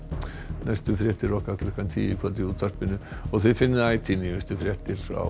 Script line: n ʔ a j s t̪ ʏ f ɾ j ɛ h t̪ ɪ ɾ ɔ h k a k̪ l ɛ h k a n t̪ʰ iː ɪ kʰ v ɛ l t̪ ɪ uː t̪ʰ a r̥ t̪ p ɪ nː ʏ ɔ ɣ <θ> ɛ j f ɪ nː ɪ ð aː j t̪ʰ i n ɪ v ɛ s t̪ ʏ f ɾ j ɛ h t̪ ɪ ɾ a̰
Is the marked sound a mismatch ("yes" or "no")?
no